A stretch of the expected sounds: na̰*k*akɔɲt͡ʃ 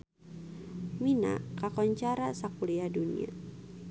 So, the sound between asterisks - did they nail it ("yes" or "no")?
yes